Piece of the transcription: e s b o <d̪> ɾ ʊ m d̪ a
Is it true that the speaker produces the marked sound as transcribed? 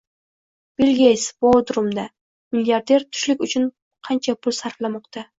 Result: yes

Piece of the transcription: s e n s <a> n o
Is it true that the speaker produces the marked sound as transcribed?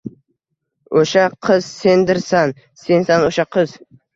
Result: yes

